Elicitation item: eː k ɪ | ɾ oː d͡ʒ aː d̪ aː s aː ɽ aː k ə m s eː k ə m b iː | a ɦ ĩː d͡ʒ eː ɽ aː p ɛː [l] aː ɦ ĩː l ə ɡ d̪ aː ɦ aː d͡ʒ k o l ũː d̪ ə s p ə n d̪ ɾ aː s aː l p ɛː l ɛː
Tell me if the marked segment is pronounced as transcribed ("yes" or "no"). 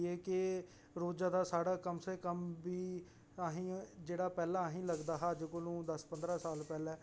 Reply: yes